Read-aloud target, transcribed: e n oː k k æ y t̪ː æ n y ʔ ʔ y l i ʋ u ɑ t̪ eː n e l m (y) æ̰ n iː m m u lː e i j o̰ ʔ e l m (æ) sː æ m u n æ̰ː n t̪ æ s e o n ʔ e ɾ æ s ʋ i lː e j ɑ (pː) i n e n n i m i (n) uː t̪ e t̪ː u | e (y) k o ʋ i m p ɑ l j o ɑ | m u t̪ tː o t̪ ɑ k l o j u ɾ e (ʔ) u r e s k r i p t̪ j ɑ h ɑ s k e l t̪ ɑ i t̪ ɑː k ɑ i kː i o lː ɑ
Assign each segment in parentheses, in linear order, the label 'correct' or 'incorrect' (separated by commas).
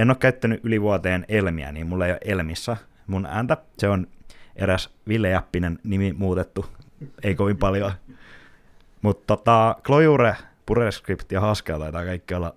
incorrect, incorrect, correct, incorrect, incorrect, incorrect